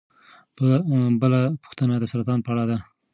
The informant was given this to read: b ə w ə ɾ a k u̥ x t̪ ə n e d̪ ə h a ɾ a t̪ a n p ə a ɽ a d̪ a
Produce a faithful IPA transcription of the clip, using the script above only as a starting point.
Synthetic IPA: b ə b ə l a p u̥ x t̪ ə n a d̪ ə s a ɾ a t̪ ɑ n p ə a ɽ a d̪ a